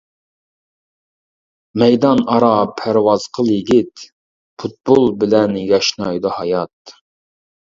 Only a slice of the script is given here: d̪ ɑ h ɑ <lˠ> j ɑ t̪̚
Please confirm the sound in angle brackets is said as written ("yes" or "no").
no